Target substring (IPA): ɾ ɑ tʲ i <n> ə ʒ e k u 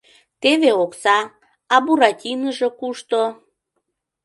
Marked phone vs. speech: correct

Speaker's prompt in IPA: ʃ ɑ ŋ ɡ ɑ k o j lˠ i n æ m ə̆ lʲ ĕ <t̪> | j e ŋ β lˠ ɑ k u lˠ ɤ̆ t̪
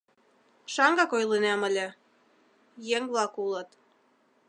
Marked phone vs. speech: incorrect: none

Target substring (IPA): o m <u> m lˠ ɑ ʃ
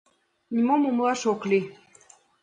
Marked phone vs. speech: correct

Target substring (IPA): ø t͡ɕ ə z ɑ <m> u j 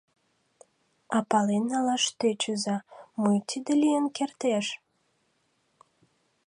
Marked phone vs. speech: correct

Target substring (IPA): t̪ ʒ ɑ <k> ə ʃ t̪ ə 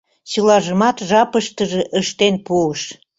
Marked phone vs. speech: incorrect: p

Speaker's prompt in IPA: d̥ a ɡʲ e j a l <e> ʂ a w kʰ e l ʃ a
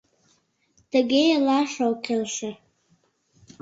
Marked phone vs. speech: incorrect: a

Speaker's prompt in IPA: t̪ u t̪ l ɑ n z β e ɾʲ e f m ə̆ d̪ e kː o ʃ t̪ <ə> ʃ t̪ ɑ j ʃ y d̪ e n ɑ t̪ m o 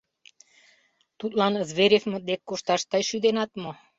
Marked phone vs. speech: incorrect: ɑ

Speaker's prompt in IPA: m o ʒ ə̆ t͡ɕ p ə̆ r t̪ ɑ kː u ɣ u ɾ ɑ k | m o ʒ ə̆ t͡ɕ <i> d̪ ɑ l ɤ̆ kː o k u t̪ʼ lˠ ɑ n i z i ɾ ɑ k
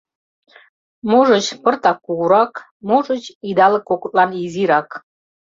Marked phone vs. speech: correct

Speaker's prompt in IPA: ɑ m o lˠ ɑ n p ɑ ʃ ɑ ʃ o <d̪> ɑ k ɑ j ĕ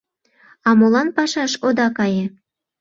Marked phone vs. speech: correct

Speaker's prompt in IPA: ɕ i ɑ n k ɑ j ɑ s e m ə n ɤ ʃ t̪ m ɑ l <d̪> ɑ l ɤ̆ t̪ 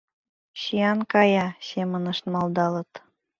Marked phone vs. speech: correct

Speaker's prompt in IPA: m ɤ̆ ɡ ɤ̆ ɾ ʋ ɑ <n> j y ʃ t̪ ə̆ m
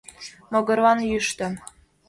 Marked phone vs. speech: correct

